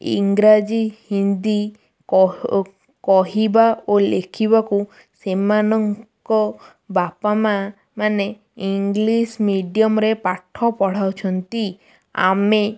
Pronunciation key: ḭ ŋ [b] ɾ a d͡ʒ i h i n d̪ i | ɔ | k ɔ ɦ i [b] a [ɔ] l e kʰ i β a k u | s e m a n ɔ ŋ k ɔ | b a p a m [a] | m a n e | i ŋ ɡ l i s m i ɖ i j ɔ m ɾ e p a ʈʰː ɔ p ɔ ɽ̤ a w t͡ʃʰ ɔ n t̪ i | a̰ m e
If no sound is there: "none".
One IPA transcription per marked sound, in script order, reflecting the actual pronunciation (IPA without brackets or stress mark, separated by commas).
ɡ, b, o, a